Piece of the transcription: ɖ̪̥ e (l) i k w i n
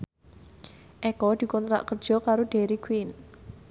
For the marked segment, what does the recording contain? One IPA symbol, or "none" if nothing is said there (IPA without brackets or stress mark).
ɾ